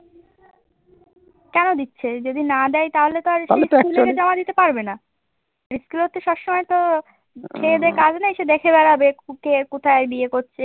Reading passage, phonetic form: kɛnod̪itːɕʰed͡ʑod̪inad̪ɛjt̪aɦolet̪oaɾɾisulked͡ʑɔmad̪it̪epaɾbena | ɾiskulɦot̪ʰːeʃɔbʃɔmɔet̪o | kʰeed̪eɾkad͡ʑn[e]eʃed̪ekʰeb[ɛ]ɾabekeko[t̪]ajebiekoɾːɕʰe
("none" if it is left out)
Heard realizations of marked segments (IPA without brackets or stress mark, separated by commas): a, ɛ, t̪ʰ